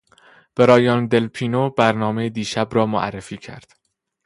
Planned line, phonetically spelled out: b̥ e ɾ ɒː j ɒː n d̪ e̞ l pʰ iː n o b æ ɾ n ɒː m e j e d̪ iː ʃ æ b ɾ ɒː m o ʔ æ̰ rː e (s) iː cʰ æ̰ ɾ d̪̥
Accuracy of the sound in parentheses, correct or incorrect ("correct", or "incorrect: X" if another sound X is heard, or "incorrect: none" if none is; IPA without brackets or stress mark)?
incorrect: f